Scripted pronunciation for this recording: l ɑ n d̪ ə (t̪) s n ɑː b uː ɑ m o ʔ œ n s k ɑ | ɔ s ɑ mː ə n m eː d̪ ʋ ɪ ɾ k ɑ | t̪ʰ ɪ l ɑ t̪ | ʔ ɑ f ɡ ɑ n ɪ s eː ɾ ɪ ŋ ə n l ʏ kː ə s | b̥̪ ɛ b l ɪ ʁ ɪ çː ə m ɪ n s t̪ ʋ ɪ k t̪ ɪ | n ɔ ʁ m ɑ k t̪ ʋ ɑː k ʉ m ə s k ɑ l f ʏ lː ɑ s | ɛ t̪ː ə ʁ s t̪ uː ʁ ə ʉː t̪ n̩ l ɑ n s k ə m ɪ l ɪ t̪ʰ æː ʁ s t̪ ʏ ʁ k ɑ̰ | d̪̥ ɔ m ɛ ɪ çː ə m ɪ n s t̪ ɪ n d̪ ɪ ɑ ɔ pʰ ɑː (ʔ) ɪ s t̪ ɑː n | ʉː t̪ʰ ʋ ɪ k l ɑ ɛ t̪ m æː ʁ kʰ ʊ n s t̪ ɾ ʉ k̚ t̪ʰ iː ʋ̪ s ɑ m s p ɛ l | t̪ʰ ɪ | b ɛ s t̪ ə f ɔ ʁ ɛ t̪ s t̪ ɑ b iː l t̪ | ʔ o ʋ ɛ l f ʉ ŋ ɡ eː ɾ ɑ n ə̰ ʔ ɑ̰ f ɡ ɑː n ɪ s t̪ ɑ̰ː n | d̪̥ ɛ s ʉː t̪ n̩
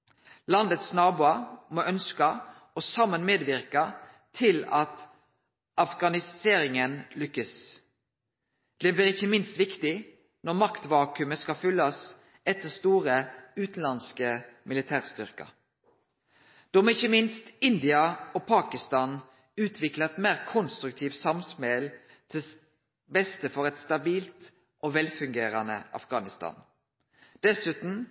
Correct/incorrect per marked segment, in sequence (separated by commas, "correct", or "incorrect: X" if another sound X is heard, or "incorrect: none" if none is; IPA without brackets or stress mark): correct, incorrect: k